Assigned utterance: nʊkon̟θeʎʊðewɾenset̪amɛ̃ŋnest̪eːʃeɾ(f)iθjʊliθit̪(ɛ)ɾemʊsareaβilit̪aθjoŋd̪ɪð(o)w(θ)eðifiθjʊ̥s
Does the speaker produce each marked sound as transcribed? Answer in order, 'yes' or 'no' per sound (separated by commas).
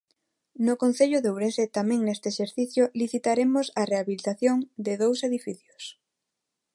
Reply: no, no, yes, no